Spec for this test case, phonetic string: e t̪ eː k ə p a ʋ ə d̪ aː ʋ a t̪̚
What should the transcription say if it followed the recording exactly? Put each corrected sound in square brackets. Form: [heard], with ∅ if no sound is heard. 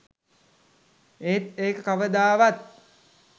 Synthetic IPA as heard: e t̪ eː k ə [k] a ʋ ə d̪ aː ʋ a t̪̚